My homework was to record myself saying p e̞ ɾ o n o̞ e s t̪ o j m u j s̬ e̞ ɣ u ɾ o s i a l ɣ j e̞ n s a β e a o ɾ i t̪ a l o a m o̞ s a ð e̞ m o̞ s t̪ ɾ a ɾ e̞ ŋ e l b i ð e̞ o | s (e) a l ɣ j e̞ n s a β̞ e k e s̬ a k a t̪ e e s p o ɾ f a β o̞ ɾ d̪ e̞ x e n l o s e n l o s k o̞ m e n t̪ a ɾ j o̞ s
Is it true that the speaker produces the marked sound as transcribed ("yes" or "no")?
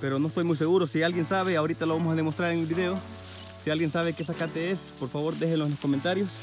no